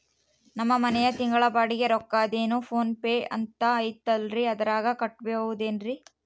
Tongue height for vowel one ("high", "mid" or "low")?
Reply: low